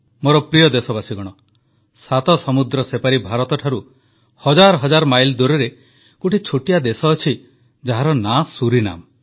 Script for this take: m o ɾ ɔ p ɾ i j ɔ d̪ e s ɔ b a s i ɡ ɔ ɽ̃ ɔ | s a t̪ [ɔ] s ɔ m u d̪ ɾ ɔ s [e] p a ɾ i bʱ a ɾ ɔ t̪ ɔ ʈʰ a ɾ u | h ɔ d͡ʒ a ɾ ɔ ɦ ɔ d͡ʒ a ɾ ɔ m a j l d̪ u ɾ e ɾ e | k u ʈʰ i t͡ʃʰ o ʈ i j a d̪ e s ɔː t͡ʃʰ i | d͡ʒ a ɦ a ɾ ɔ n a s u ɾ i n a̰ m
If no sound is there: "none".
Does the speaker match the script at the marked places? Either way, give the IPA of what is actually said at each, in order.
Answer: ɔ, e

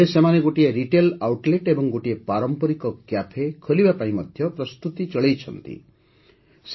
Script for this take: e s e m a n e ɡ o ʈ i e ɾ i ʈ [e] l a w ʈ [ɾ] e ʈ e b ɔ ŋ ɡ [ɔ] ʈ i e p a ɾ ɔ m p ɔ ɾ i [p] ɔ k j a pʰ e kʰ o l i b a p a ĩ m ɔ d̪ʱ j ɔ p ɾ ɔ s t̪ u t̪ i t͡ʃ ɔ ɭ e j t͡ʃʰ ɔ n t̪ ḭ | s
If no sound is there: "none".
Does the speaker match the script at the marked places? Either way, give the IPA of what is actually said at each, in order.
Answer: e, l, o, k

